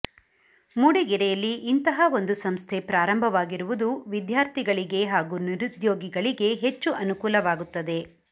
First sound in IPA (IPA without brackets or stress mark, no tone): m